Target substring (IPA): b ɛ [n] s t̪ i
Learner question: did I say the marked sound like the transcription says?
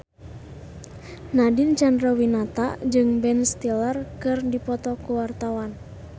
yes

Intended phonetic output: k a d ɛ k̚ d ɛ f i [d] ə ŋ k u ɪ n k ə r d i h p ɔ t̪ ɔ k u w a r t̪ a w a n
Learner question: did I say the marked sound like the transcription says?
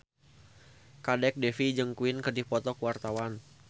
no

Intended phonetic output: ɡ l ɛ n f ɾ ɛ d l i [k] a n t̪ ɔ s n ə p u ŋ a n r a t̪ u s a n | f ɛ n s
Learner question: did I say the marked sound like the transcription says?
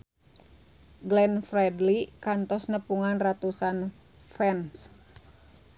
yes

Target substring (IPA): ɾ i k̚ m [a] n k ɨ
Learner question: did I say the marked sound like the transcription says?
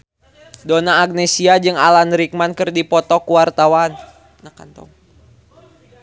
yes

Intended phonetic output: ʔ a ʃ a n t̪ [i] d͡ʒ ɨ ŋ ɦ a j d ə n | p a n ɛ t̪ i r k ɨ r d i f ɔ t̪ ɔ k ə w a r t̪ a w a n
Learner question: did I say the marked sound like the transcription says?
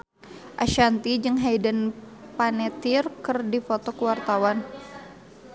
yes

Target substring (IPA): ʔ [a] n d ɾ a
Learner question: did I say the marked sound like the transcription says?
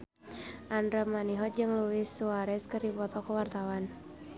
yes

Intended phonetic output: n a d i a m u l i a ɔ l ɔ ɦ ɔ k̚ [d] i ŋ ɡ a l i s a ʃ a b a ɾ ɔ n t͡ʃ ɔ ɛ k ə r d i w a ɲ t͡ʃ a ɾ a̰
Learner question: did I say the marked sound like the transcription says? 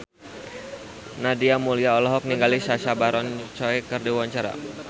no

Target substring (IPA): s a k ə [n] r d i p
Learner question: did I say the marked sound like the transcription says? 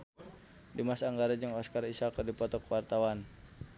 no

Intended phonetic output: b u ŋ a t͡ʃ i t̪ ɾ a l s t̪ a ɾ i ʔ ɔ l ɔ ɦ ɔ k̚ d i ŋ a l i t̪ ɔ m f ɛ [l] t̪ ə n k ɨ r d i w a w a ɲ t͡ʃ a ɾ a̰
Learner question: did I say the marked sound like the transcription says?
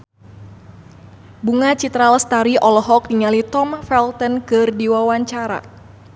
yes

